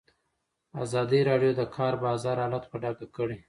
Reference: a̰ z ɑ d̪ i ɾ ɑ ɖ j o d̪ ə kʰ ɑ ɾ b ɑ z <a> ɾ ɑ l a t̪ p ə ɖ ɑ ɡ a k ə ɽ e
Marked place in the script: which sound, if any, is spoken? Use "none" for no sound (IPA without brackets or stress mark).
ɑ